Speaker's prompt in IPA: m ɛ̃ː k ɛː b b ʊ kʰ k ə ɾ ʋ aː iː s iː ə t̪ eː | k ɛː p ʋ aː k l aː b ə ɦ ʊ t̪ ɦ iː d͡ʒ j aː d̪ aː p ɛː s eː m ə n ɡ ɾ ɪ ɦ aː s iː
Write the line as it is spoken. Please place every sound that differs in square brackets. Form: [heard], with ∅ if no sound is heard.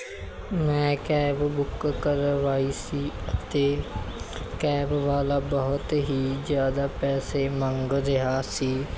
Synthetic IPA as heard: m ɛ̃ː k ɛː b b ʊ [k] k ə ɾ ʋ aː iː s iː ə t̪ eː | k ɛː [b] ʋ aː [∅] l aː b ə ɦ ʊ t̪ ɦ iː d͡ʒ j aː d̪ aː p ɛː s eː m ə [ŋ] ɡ ɾ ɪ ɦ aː s iː